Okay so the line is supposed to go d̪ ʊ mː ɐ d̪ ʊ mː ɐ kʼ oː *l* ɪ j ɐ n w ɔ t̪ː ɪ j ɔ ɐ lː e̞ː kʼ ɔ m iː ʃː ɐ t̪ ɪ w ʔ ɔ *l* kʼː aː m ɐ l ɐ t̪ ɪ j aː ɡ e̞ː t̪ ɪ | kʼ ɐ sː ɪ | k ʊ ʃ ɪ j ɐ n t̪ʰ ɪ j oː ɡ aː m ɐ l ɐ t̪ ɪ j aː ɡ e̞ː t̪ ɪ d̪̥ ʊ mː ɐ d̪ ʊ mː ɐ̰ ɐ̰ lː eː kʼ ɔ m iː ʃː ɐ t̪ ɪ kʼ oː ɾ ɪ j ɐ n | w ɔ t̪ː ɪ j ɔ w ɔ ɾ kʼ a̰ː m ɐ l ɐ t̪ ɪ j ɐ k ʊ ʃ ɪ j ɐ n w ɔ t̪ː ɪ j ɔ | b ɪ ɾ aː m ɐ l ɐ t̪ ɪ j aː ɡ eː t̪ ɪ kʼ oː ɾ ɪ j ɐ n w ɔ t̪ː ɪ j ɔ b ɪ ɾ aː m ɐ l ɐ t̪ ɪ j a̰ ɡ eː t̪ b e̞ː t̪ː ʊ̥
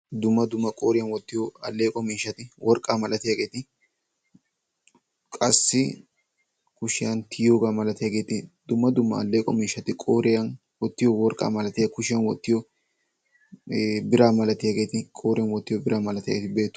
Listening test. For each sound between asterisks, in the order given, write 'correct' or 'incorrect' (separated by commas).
incorrect, incorrect